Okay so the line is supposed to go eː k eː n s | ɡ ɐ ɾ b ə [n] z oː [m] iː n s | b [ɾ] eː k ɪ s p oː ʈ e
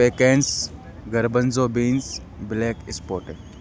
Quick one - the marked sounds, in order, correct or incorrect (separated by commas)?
correct, incorrect, incorrect